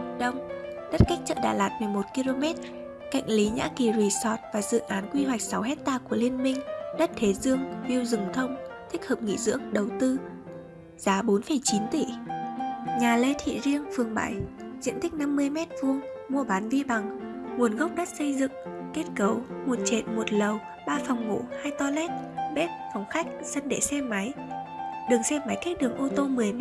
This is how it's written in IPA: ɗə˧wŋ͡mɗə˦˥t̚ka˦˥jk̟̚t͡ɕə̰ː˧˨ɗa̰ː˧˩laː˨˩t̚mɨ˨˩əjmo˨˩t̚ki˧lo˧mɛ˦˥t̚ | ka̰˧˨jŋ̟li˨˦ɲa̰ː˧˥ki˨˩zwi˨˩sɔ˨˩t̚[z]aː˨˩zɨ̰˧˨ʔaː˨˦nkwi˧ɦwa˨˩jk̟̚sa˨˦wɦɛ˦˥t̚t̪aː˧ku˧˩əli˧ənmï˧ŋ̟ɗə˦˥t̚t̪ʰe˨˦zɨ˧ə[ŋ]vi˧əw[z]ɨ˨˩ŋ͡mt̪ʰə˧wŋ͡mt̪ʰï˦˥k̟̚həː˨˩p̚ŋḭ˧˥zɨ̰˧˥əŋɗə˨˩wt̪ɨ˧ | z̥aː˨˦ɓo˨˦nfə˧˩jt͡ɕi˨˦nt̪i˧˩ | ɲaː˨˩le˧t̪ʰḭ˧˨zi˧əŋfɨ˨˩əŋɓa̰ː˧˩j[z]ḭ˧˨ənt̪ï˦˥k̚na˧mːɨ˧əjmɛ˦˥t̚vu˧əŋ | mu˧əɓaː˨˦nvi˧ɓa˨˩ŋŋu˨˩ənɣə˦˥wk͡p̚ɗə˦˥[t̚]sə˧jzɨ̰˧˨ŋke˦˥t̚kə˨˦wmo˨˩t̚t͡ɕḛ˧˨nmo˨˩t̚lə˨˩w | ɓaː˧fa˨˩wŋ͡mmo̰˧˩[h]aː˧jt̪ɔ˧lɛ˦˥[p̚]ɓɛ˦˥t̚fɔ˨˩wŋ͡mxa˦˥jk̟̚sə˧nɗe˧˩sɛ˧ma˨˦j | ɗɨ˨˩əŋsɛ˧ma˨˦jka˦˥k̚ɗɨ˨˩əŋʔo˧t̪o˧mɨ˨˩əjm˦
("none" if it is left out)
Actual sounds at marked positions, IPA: v, ŋ, z, z, t̚, h, t̚

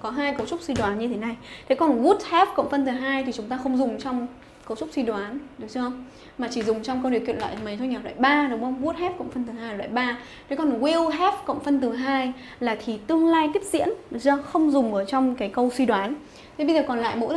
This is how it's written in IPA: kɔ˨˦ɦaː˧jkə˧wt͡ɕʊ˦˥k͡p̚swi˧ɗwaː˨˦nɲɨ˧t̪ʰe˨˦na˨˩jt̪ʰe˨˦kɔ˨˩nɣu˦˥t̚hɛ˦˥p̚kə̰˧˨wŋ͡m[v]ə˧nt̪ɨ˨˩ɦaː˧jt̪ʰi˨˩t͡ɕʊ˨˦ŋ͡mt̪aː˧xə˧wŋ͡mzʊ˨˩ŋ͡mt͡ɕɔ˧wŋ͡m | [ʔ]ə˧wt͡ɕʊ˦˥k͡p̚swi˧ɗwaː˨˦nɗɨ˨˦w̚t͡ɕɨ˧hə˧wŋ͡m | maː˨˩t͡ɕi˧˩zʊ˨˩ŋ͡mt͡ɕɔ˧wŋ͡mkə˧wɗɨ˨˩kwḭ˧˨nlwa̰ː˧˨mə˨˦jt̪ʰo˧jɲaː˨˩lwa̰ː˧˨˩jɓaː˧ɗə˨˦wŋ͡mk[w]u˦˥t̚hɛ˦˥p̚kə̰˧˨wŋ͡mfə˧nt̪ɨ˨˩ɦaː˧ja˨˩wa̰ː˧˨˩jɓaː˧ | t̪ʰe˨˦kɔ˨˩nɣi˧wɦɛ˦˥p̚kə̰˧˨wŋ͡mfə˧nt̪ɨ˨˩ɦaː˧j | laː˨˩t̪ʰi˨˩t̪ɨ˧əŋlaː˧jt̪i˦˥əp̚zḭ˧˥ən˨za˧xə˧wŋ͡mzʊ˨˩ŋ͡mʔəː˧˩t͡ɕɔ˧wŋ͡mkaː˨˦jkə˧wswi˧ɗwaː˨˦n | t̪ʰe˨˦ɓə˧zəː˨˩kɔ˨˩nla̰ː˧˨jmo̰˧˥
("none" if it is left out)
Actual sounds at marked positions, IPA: f, k, ɣ

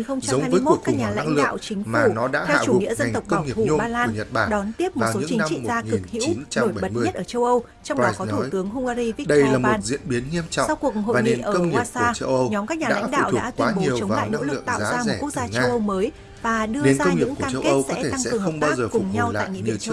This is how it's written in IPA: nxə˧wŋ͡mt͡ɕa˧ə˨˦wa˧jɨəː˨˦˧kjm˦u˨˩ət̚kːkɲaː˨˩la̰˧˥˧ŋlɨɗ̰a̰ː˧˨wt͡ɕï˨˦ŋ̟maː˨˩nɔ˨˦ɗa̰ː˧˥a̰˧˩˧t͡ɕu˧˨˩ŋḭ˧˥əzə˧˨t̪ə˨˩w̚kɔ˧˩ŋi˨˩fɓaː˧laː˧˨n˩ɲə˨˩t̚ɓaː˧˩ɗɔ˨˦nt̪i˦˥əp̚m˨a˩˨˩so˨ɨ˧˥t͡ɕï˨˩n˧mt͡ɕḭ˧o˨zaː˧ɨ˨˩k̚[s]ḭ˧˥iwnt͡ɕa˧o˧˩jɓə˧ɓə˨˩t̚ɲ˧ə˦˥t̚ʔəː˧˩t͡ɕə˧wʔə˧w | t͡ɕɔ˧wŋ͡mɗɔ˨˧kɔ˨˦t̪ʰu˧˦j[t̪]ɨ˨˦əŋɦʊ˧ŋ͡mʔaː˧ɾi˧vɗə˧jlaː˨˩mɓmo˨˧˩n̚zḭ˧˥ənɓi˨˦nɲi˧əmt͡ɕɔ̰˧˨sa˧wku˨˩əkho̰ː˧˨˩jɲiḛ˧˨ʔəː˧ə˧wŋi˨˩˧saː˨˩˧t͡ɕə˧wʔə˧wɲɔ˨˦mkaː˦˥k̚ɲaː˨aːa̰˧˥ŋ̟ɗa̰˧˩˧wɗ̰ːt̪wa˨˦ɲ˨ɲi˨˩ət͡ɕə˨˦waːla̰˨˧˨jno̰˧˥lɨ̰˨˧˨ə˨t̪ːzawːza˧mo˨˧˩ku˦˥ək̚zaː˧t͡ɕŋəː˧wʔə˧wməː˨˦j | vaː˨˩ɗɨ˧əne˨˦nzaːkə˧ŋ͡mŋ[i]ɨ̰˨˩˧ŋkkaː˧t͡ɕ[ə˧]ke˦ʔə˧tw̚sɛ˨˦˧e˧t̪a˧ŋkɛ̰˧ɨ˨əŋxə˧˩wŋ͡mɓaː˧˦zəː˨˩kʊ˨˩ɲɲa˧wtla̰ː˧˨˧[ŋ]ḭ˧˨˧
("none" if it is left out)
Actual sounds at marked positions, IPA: h, t̪, i, ə˧, ŋ

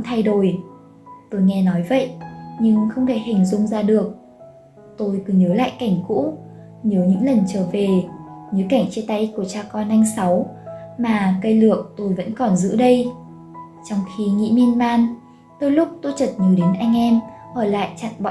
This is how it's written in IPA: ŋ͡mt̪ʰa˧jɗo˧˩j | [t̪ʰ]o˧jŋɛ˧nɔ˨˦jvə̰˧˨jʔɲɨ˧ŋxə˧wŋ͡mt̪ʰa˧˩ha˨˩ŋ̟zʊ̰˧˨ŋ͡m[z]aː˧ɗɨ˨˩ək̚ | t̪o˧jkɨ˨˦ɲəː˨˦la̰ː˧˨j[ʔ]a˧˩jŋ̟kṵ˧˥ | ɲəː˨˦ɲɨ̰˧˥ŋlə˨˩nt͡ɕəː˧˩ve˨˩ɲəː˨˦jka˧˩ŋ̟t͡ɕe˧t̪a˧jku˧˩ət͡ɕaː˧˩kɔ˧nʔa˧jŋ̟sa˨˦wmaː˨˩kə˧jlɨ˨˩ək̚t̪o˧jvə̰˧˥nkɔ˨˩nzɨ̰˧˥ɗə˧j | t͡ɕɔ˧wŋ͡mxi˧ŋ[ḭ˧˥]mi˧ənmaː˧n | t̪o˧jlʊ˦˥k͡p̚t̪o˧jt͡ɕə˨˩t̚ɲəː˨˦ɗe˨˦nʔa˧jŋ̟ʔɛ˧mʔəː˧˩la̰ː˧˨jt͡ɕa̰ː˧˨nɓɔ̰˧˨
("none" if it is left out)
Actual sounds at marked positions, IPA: t̪, z, k, ḭ˧˥

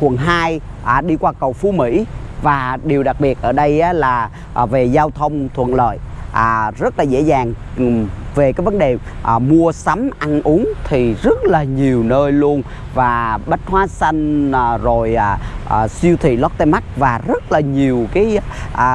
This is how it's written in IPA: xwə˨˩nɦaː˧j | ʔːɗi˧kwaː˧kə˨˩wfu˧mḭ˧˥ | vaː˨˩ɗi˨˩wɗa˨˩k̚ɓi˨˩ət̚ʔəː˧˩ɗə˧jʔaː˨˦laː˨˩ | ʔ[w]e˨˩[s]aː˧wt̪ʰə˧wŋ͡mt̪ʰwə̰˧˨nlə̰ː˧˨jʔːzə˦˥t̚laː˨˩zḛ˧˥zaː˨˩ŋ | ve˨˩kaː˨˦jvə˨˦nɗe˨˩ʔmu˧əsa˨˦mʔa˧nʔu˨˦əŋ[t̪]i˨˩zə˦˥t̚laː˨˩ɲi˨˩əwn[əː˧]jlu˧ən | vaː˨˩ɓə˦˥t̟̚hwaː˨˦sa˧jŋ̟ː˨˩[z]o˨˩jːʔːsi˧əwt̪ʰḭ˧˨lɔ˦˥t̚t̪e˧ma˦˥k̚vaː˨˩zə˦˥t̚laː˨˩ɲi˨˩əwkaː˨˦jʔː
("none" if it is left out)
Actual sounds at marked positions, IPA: v, z, t̪ʰ, əː˧, z

